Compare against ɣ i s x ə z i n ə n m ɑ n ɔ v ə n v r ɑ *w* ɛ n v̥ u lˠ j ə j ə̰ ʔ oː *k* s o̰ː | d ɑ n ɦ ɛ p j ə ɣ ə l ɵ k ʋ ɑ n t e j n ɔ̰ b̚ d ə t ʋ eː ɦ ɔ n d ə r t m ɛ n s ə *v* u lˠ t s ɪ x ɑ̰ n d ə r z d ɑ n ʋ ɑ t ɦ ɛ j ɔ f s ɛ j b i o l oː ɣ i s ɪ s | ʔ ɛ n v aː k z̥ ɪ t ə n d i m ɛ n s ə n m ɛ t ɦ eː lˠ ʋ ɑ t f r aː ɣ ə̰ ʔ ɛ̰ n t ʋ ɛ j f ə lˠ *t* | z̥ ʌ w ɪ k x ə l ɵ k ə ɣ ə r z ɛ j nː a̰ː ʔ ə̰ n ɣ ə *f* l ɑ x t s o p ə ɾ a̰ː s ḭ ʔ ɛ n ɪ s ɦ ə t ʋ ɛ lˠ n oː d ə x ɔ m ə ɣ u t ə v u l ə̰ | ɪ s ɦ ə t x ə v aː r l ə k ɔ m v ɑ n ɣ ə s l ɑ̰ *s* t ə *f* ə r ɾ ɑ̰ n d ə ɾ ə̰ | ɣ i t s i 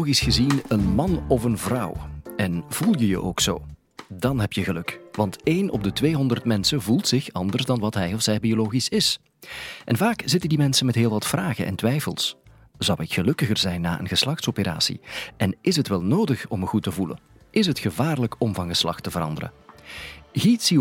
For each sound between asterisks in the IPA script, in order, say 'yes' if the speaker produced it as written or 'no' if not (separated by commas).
yes, yes, yes, no, no, no, no